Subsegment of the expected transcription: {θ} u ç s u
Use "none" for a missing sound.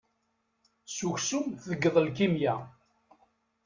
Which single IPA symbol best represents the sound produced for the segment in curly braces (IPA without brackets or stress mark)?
s